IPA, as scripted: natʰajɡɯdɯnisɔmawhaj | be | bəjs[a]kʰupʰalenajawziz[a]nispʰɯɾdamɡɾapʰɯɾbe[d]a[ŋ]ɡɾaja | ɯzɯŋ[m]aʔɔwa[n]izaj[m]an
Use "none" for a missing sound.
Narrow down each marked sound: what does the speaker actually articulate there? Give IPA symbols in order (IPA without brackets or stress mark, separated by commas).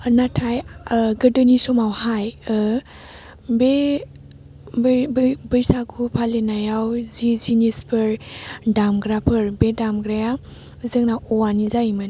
a, i, d, m, n, n, m